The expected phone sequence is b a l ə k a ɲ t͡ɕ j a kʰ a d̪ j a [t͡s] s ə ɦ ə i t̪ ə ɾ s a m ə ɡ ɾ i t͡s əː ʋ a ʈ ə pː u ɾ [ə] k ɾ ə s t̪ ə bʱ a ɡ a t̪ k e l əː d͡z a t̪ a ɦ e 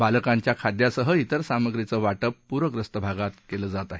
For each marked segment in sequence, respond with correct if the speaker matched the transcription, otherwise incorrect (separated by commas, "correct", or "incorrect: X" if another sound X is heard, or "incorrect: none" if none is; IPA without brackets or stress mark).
incorrect: none, correct